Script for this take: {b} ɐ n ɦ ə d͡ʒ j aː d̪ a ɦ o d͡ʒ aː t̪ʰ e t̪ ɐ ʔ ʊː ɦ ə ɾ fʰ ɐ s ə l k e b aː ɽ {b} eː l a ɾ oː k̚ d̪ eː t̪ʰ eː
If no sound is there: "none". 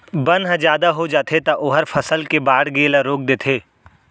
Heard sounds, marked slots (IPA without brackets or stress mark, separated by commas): b, ɡ